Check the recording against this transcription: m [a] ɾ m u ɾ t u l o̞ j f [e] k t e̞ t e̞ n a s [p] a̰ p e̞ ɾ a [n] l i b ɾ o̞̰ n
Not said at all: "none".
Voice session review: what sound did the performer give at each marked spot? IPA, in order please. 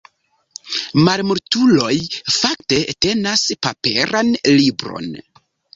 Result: a, a, p, n

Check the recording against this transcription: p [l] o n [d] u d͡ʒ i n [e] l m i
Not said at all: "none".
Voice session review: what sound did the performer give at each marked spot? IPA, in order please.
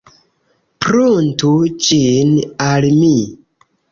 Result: ɾ, t, a

